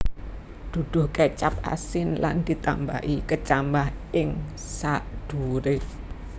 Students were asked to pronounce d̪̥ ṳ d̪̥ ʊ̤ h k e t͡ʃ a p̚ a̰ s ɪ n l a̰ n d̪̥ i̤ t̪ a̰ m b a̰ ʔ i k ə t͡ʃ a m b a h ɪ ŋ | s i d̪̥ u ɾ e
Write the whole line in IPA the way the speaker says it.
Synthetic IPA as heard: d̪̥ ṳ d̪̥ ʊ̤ h k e t͡ʃ a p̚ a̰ s ɪ n l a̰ n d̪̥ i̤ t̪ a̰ m b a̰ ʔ i k ə t͡ʃ a m b a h ɪ ŋ | s a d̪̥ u ɾ e